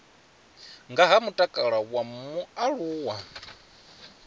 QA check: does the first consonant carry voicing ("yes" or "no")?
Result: yes